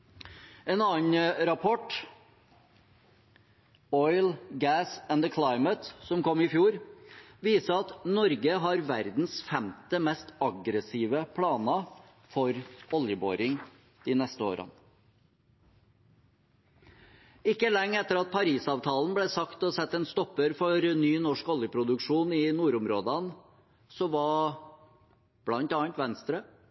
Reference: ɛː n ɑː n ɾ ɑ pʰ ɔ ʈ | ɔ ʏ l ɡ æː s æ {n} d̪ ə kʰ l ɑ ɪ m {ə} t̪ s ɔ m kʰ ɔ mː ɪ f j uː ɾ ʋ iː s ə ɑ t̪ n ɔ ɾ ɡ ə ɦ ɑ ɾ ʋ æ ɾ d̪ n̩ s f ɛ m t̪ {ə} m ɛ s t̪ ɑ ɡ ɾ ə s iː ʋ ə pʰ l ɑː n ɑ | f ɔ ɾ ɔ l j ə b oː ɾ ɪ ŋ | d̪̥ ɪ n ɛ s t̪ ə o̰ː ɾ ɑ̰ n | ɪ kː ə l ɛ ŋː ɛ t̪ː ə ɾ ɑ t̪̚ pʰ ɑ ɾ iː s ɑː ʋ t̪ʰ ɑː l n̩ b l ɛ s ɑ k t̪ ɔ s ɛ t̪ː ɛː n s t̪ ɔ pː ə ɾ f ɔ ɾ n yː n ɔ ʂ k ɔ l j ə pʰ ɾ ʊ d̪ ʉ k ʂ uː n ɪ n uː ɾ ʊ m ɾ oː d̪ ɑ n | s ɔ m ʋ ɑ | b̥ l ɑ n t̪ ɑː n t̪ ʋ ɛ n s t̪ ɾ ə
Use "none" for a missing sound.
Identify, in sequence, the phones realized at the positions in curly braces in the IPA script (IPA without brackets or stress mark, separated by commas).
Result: n, ə, ə